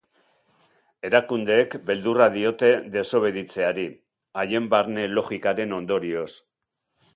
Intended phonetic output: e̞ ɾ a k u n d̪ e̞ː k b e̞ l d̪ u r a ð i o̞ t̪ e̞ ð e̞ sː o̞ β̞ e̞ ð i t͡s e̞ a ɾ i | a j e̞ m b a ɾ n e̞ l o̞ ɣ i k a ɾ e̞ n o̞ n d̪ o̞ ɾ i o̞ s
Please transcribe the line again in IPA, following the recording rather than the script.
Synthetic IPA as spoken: e̞ ɾ a k u n d̪ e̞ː k b e̞ l d̪ u r a ð i o̞ t̪ e̞ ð e̞ s o̞ β̞ e̞ ð i t͡s e̞ a ɾ i | a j e̞ m b a ɾ n e̞ l o̞ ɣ i k a ɾ e̞ n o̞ n d̪ o̞ ɾ i o̞ s